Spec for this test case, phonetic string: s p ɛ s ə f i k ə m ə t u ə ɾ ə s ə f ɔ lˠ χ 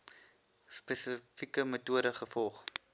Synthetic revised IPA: s p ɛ s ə f i k ə m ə t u ə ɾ ə χ ə f ɔ lˠ χ